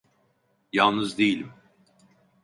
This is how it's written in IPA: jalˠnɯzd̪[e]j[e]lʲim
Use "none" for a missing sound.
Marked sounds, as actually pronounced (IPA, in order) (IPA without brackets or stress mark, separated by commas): e, i